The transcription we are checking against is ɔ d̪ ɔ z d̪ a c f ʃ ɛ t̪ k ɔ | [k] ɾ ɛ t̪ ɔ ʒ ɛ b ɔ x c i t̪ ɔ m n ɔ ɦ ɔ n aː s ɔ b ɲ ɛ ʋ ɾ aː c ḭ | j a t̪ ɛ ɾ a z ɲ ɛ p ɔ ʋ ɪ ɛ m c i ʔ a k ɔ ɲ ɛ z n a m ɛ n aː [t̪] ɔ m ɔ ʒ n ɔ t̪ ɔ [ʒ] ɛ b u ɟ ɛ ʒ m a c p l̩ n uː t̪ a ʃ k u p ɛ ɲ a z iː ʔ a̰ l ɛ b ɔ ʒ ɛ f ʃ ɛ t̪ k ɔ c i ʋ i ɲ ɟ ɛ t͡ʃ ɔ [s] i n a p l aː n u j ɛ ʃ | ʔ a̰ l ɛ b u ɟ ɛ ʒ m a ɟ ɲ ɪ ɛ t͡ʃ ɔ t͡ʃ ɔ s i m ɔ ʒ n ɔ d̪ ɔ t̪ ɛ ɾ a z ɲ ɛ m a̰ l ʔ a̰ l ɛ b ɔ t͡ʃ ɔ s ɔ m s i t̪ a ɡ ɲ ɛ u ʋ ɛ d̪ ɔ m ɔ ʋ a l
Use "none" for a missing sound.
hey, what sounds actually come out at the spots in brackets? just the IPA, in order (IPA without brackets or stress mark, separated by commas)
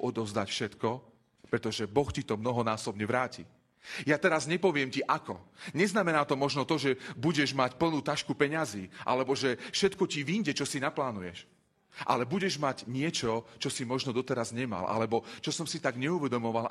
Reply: p, t̪, ʒ, s